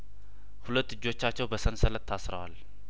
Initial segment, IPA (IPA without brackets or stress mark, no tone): h